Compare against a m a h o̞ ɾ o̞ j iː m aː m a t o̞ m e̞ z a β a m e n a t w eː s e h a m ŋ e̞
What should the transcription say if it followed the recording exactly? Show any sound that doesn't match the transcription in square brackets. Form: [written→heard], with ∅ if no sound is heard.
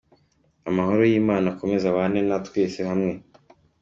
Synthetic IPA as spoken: a m a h o̞ ɾ o̞ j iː m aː [m→n] a [t→k] o̞ m e̞ z a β a [m→n] e n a t w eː s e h a m ŋ e̞

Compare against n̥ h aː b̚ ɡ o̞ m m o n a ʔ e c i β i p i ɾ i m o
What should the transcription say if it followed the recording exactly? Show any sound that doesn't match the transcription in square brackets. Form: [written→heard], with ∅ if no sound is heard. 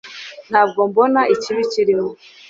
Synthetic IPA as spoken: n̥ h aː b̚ ɡ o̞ m [m→b] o n a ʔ [e→i] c i β i [p→c] i ɾ i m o

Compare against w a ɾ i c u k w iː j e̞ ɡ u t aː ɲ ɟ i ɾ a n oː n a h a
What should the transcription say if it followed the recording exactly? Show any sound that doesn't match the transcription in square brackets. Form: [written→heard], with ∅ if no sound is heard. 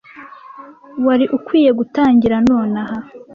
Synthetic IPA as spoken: w a ɾ i [c→ʔ] u k w iː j e̞ ɡ u t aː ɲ ɟ i ɾ a n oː n a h a

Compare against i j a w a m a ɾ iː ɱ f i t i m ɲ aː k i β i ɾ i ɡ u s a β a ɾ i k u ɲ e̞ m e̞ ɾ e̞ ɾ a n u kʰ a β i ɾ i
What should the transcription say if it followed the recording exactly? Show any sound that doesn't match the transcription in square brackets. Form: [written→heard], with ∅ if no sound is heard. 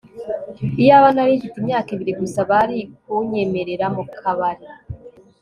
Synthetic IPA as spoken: i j a [w→β] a [m→n] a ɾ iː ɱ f i t i m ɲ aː k i β i ɾ i ɡ u s a β a ɾ i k u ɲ e̞ m e̞ ɾ e̞ ɾ a [n→m] u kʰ a β [i→a] ɾ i

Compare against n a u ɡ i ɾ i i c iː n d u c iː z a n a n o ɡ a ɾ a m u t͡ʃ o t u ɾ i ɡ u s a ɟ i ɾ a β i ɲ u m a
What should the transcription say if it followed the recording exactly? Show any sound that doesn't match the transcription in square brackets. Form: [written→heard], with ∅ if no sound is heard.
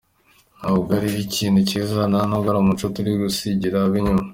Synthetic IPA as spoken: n a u ɡ [i→a] ɾ i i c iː n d u c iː z a n a n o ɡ a ɾ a m u t͡ʃ o t u ɾ i ɡ u s [a→i] ɟ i ɾ a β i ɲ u m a

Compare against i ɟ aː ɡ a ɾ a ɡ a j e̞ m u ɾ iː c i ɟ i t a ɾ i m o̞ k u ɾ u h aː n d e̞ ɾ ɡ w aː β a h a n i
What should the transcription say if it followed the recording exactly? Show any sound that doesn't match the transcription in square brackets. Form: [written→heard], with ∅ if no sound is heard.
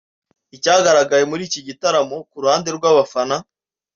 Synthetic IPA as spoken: i [ɟ→c] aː ɡ a ɾ a ɡ a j e̞ m u ɾ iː c i ɟ i t a ɾ [i→a] m o̞ k u ɾ u h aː n d e̞ ɾ ɡ w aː β a [h→f] a n [i→a]

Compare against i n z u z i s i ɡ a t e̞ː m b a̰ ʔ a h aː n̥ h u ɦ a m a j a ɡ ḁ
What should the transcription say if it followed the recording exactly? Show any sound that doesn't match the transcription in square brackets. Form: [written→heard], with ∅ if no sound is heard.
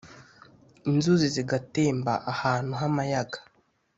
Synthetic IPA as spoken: i n z u z i [s→z] i ɡ a t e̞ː m b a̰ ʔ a h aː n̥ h u ɦ a m a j a ɡ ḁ

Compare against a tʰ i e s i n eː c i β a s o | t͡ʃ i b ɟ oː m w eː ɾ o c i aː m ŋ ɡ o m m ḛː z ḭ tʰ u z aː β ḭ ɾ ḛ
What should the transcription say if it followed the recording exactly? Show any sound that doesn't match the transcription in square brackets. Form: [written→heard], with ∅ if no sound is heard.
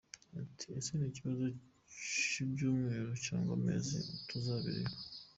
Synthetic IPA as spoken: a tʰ i e s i n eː c i β a [s→z] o | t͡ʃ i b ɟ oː m w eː ɾ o c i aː [m→∅] ŋ ɡ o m m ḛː z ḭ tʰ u z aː β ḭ ɾ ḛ

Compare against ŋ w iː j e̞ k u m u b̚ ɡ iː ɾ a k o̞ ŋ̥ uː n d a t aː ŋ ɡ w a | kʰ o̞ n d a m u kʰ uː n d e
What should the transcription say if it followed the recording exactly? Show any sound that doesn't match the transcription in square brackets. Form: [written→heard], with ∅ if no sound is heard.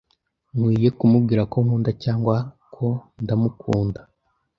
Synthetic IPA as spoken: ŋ w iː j e̞ k u m u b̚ ɡ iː ɾ a k o̞ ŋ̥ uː n d a [t→c] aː ŋ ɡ w a | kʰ o̞ n d a m u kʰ uː n d [e→a]

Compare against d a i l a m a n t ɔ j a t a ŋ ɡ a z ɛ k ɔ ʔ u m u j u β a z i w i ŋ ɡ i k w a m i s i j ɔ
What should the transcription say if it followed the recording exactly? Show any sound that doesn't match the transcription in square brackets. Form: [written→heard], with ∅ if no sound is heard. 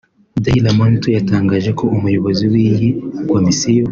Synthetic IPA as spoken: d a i l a m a n t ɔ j a t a ŋ ɡ a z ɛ k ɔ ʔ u m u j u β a z i w i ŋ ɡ i k w a m i s i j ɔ

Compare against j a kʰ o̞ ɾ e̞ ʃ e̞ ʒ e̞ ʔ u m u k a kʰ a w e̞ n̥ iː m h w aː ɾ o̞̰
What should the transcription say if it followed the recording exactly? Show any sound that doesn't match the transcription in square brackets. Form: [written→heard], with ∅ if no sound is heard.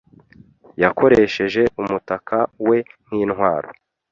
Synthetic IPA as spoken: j a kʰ o̞ ɾ e̞ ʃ e̞ ʒ e̞ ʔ u m u [k→t] a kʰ a w e̞ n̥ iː [m→n] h w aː ɾ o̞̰

